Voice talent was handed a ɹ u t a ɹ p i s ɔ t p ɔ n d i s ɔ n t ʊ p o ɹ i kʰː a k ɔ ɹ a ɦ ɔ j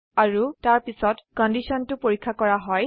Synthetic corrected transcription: a ɹ u t a ɹ p i s ɔ t k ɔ n d i s ɔ n t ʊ p o ɹ i kʰː a k ɔ ɹ a ɦ ɔ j